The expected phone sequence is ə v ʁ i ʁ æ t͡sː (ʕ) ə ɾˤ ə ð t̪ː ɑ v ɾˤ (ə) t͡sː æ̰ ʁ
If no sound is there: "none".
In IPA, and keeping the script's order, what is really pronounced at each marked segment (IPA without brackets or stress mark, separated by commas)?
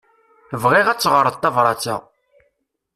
ʁ, ɑ